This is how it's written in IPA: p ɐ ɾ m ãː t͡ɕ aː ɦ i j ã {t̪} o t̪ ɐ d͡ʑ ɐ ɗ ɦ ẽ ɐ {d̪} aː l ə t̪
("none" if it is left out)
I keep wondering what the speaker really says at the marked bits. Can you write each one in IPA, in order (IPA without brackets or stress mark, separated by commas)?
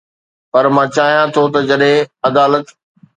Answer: t̪ʰ, d̪